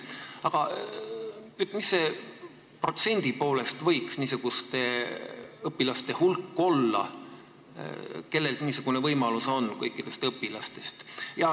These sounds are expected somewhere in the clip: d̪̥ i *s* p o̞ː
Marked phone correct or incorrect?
incorrect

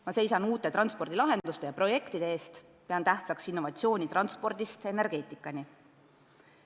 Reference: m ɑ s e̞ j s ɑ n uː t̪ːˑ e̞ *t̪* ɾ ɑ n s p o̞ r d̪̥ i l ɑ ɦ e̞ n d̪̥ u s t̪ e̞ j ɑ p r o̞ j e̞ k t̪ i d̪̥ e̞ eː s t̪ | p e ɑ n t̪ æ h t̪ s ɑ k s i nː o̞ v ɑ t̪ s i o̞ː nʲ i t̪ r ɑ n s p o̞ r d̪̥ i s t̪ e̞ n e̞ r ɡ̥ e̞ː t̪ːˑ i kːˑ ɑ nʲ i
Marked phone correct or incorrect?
correct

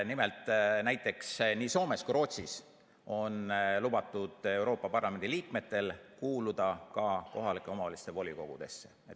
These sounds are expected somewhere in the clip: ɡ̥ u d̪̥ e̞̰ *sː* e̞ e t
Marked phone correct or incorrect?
correct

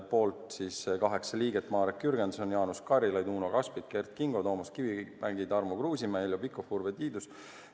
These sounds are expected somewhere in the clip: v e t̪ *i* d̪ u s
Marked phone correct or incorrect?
incorrect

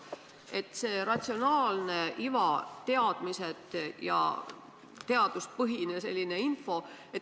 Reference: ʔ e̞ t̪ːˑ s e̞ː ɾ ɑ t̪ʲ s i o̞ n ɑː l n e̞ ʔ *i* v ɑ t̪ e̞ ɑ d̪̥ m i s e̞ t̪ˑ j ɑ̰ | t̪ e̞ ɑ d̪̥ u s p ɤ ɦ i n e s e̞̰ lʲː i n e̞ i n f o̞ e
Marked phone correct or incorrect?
correct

